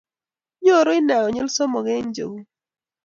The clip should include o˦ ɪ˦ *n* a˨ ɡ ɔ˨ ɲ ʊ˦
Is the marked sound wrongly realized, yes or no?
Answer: no